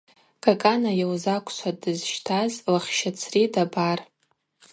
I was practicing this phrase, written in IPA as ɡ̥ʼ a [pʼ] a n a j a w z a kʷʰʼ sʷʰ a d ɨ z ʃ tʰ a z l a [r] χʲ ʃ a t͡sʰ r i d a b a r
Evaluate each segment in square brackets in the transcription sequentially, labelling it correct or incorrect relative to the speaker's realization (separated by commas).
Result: incorrect, incorrect